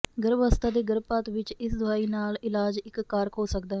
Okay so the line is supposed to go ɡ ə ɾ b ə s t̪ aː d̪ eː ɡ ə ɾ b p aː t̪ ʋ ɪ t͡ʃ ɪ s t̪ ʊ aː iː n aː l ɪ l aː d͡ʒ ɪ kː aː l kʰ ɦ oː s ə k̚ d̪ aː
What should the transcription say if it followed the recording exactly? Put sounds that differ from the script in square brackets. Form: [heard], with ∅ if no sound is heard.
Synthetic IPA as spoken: ɡ ə ɾ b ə s t̪ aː d̪ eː ɡ ə ɾ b p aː t̪ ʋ ɪ t͡ʃ ɪ s [d̪] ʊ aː iː n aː l ɪ l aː d͡ʒ ɪ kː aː [ɾ] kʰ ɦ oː s ə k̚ d̪ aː